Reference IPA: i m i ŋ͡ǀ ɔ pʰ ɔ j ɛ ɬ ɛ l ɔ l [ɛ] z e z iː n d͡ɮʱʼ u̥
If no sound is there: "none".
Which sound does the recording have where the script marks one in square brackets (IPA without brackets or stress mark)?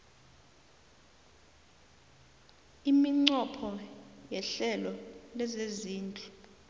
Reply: ɛ